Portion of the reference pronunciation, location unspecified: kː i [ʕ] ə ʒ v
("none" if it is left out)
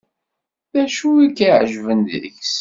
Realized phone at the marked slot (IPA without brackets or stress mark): ʕ